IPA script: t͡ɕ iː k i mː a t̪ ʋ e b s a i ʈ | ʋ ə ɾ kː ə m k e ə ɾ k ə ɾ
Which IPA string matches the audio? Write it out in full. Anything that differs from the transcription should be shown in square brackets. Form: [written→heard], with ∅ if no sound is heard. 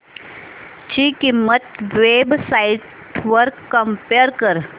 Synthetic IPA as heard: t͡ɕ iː k i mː [a→ə] t̪ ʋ e b s a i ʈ | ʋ ə ɾ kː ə m [k→p] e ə ɾ k ə ɾ

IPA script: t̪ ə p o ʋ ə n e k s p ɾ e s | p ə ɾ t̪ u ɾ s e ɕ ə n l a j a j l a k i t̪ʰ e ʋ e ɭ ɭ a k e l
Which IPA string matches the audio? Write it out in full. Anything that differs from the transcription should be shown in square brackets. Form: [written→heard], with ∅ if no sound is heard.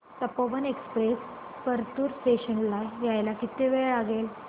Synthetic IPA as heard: t̪ ə p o ʋ ə n e k s p ɾ e s | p ə ɾ t̪ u ɾ s e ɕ ə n l a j a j l a k i [t̪ʰ→t̪] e ʋ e ɭ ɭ a [k→ɡ] e l

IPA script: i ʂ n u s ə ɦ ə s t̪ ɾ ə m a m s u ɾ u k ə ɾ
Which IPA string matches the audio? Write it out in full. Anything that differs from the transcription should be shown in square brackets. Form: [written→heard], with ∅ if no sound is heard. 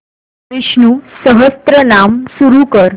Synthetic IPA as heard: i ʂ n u s ə ɦ ə s t̪ ɾ ə [m→n] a m s u ɾ u k ə ɾ

